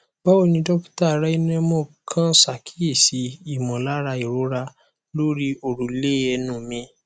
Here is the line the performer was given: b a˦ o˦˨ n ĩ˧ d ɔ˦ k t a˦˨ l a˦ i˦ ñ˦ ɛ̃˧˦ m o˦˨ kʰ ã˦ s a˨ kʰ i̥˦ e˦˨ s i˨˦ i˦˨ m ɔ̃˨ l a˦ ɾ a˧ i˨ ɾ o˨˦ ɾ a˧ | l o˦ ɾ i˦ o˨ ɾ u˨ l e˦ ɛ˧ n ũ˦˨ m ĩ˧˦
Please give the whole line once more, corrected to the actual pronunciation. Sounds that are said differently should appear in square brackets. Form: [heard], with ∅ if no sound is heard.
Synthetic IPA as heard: b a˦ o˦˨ n ĩ˧ d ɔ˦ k t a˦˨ [ɾ] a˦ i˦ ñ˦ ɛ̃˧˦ m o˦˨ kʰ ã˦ s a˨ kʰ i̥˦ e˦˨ s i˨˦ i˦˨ m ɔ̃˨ l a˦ ɾ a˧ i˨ ɾ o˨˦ ɾ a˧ | l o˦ ɾ i˦ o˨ ɾ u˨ l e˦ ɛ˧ n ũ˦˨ m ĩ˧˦